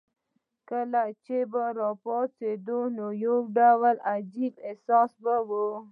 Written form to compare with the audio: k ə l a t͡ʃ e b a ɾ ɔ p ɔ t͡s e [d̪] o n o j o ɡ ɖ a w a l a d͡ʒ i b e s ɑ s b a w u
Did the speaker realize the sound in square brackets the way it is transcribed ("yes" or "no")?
yes